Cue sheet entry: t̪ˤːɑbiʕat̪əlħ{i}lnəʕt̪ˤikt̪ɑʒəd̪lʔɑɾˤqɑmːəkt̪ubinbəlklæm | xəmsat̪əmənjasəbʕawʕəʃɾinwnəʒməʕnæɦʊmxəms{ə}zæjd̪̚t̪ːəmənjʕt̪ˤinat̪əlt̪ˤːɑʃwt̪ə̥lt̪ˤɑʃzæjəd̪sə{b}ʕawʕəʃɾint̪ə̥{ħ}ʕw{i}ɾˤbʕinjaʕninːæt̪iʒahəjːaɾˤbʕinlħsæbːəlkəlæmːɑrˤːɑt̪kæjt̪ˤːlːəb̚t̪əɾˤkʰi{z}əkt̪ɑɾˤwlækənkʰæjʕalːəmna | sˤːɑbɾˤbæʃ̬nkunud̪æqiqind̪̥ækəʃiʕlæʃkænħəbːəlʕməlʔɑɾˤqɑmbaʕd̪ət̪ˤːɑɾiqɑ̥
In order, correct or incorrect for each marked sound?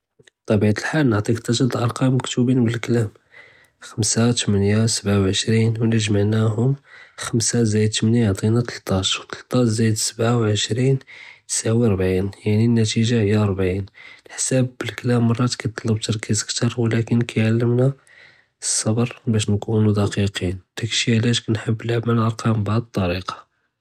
incorrect, incorrect, correct, incorrect, correct, correct

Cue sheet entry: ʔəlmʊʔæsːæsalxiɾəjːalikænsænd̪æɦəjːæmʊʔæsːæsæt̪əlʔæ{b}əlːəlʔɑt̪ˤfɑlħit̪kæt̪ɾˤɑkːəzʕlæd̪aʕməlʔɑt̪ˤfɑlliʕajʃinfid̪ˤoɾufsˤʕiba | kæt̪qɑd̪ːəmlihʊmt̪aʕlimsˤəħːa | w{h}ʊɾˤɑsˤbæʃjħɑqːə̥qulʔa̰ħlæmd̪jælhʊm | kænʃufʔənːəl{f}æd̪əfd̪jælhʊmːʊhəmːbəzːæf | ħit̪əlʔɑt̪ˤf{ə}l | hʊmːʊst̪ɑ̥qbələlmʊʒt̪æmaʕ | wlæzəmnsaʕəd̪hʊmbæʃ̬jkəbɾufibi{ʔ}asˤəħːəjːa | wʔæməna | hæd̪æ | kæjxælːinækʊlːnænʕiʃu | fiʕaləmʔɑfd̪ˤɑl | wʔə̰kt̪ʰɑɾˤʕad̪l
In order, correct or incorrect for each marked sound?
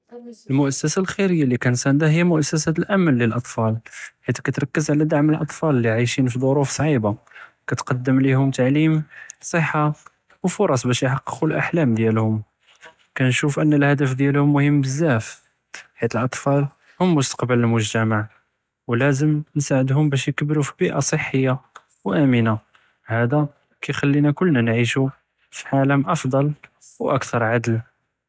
incorrect, incorrect, incorrect, incorrect, correct

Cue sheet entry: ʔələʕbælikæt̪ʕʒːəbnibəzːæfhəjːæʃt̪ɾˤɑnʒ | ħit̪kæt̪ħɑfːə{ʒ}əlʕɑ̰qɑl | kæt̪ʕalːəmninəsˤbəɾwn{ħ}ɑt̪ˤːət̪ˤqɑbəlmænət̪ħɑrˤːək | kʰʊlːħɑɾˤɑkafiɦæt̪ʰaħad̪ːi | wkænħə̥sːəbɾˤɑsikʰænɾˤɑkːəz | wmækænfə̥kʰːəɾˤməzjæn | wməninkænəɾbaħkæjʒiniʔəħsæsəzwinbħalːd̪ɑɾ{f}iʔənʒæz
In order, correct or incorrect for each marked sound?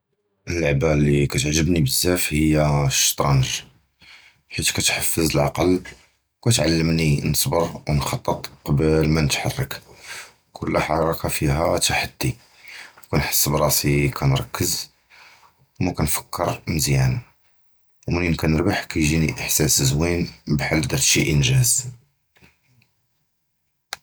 incorrect, incorrect, incorrect

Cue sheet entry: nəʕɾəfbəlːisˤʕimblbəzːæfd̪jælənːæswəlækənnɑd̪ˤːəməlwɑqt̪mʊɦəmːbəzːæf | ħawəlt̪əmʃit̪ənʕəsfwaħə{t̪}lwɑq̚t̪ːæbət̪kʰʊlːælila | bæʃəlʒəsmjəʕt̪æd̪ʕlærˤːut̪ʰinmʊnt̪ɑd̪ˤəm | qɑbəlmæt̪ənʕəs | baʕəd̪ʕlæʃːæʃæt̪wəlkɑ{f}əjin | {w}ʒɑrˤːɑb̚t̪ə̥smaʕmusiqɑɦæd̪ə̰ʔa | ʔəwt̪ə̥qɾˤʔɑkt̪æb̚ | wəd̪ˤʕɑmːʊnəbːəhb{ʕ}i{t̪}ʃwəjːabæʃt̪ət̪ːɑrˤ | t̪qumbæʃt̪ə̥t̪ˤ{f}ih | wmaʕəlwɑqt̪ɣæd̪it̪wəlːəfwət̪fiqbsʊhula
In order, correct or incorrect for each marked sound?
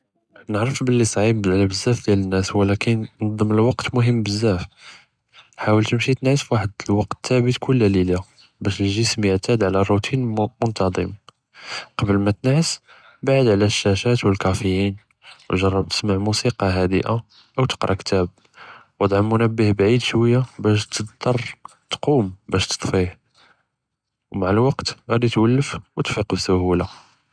incorrect, correct, correct, correct, incorrect, correct

